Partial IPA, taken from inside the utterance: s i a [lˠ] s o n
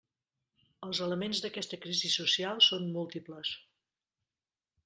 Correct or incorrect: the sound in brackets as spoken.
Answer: correct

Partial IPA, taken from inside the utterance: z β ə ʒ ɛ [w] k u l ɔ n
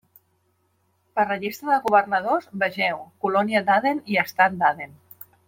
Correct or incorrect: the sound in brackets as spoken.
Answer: correct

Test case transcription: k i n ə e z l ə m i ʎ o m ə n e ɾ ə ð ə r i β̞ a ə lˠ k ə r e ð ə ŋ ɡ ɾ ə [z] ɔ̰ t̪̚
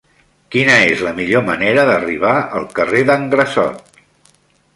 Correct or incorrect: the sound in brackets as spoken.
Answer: incorrect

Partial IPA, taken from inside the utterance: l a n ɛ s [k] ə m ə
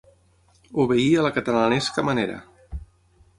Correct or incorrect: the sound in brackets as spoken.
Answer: correct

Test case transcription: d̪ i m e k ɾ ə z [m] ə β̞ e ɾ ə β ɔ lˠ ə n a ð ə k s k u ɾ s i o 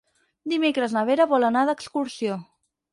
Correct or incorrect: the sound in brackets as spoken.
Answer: incorrect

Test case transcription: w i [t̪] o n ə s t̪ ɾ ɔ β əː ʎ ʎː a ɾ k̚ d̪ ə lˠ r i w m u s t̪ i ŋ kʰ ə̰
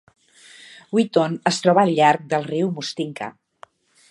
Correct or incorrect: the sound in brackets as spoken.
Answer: correct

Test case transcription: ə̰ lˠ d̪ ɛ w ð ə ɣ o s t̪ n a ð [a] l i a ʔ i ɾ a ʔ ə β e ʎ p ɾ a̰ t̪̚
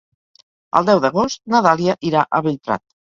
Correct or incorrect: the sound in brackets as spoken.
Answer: correct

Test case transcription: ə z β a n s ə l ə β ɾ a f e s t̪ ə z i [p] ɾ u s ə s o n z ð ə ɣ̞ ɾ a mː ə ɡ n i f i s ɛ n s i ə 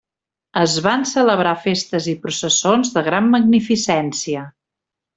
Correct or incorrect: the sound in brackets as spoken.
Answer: correct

